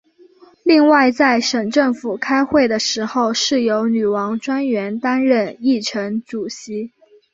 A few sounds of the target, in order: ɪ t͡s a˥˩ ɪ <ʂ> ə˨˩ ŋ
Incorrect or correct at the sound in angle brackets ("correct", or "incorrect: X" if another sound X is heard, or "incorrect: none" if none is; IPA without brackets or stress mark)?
correct